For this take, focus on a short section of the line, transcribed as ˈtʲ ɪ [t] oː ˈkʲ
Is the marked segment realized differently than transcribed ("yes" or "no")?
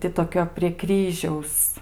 no